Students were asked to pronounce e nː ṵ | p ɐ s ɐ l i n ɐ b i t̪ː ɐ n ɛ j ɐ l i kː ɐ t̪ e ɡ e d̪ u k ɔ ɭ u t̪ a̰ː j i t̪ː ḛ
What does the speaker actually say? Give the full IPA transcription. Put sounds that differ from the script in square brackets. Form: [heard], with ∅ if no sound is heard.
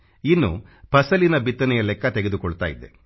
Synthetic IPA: [i] nː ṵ | p ɐ s ɐ l i n ɐ b i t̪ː ɐ n ɛ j ɐ l [ɛ] kː ɐ t̪ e ɡ e d̪ u k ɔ ɭ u t̪ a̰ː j i [d̪ː] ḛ